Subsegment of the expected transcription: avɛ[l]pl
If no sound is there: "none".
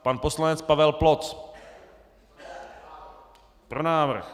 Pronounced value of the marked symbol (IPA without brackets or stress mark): l